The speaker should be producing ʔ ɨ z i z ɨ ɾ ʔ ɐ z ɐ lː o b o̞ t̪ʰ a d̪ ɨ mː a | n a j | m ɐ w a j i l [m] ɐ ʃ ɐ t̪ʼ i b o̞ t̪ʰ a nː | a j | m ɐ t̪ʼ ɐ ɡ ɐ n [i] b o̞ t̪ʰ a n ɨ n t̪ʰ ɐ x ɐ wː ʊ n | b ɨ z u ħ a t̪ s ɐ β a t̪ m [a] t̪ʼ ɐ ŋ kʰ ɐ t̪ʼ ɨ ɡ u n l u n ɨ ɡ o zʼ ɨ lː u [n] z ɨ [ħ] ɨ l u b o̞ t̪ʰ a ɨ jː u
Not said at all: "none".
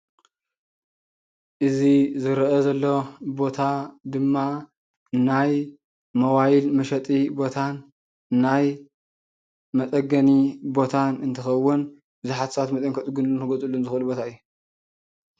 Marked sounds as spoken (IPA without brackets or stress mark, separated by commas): m, i, ɐ, n, x